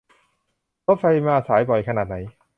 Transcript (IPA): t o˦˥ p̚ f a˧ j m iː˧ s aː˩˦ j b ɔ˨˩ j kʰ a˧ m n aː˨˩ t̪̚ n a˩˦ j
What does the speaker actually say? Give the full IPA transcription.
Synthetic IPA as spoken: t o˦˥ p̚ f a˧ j m aː˧ s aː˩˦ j b ɔ˨˩ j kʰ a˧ n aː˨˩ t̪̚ n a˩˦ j